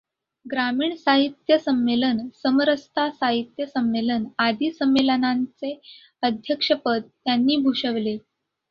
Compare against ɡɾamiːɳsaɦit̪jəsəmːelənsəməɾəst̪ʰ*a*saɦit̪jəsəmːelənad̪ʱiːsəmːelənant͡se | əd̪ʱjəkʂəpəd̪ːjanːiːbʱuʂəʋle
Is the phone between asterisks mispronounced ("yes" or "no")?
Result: no